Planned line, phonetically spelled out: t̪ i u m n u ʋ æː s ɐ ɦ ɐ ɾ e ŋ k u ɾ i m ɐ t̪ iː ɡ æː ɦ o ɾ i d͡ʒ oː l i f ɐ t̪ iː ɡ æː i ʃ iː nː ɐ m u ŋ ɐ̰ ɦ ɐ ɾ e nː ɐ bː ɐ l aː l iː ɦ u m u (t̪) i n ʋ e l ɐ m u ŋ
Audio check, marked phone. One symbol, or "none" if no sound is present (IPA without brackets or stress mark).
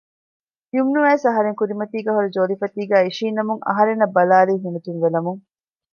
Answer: t̪